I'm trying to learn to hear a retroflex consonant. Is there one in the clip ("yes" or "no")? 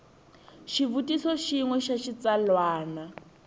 no